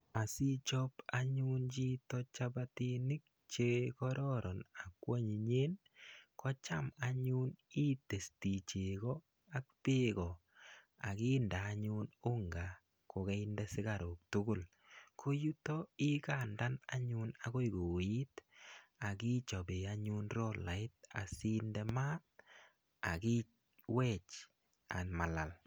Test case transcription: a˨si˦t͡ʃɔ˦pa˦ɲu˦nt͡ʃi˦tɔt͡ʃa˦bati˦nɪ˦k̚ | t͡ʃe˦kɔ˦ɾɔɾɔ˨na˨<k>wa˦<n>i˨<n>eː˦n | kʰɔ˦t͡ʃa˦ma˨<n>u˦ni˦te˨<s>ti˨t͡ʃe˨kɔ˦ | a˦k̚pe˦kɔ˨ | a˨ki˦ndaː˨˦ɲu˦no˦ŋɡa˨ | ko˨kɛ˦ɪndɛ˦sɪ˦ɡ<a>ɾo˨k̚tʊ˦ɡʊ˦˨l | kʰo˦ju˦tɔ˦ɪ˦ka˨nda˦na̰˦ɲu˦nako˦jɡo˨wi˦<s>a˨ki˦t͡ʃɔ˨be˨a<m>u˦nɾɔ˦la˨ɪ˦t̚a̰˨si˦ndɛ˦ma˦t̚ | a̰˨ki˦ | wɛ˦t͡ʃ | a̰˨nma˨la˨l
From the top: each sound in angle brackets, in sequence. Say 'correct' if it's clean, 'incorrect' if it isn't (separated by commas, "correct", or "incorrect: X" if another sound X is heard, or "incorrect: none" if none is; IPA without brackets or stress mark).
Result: correct, incorrect: ɲ, incorrect: ɲ, incorrect: ɲ, correct, correct, incorrect: t, incorrect: ɲ